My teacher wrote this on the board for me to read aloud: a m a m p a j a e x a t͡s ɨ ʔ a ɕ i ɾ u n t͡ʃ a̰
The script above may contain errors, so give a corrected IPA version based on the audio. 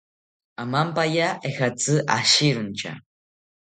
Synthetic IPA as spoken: a m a m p a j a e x a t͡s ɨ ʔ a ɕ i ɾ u n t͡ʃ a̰